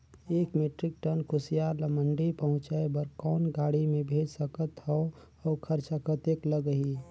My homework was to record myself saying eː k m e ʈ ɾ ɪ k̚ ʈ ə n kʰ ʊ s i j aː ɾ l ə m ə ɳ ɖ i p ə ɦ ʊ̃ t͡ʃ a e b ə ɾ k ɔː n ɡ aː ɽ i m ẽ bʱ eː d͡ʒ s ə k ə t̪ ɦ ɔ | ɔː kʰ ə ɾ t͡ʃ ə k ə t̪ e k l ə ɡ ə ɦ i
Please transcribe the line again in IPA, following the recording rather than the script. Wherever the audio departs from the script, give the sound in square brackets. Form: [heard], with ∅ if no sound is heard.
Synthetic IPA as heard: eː k m e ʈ ɾ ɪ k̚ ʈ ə n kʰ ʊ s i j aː ɾ l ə m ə ɳ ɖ i p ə ɦ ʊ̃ t͡ʃ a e b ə ɾ k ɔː n ɡ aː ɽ i m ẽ bʱ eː d͡ʒ s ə k ə t̪ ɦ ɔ | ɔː kʰ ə ɾ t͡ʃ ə k ə t̪ e k l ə ɡ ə ɦ i